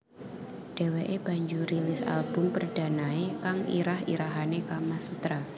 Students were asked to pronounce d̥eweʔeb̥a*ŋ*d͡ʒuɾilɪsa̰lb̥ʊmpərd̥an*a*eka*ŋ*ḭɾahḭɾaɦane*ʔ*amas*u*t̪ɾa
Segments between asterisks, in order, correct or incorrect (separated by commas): incorrect, correct, correct, incorrect, correct